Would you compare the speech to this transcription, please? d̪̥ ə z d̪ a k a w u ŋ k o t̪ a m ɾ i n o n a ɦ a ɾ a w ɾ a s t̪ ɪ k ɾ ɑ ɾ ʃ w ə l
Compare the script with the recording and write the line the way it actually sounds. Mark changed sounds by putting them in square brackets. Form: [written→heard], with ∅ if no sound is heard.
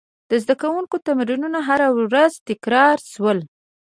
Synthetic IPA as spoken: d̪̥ ə z d̪ a k a w u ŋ k o t̪ a m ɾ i n [o→u] n a ɦ a ɾ a w ɾ a [s→z] t̪ ɪ k ɾ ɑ ɾ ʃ w ə l